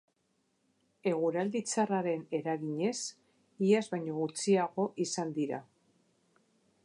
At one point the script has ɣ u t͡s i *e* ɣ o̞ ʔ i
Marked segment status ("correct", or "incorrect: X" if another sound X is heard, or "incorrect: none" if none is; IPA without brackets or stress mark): incorrect: a